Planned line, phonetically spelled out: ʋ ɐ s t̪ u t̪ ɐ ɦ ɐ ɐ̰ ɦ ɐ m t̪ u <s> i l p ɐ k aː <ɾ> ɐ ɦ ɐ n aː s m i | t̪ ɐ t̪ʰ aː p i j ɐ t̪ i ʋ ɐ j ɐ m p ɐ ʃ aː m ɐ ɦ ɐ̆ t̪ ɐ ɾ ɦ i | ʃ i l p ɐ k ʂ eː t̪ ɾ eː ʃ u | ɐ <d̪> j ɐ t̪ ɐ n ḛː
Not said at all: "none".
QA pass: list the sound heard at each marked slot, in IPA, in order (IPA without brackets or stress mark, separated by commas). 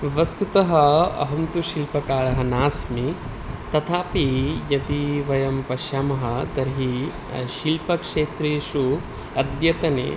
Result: ʃ, ɭ, d̪